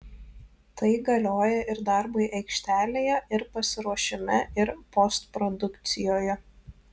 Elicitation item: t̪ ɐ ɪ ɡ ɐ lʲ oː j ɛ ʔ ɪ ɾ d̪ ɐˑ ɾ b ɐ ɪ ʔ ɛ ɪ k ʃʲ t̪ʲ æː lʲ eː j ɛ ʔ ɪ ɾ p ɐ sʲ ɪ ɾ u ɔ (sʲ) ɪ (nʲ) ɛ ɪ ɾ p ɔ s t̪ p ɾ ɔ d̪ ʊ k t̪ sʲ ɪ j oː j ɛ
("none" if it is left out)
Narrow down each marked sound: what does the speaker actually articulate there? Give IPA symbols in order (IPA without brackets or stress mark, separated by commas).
ʃʲ, mʲ